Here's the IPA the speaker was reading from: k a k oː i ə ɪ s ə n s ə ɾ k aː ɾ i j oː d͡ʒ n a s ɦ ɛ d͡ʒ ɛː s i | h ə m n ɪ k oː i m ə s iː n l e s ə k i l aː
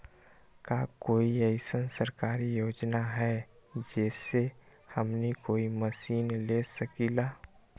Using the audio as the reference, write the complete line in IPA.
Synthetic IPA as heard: k a k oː i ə ɪ s ə n s ə ɾ k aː ɾ i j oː d͡ʒ n a ɦ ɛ d͡ʒ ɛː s e | h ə m n i k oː i m ə s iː n l e s ə k i l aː